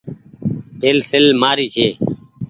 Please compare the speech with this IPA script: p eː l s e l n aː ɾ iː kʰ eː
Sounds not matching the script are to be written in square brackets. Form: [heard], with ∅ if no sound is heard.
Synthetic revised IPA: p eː l s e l [m] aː ɾ iː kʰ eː